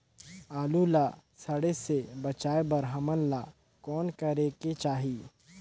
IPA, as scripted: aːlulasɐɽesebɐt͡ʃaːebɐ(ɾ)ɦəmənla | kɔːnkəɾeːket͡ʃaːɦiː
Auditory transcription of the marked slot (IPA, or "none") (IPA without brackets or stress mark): ɾ